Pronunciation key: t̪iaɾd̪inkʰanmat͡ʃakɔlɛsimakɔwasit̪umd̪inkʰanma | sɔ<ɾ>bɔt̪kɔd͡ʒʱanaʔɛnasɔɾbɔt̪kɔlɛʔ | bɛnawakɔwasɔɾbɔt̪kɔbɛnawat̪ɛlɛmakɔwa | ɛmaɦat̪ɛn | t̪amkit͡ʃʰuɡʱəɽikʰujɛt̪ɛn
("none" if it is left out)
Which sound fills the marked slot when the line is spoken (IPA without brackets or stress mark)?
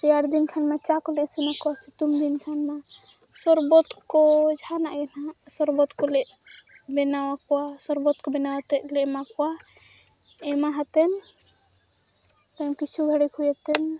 ɾ